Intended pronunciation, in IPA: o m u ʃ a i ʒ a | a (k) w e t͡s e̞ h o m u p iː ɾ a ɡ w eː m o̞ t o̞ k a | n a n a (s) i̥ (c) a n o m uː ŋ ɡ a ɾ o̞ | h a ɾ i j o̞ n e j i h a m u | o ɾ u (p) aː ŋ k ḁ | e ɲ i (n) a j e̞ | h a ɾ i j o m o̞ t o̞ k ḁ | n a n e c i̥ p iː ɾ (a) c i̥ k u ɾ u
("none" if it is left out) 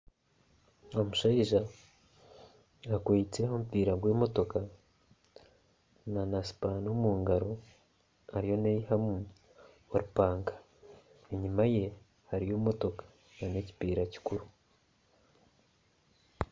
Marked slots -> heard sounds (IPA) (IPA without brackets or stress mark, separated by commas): k, s, p, p, m, a